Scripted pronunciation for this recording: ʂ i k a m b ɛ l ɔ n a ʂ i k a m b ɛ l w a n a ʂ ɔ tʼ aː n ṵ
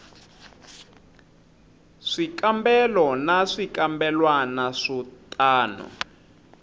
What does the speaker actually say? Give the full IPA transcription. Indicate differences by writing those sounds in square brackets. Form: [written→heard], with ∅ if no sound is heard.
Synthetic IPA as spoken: ʂ i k a m b ɛ l ɔ n a ʂ i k a m b ɛ l w a n a ʂ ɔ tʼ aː n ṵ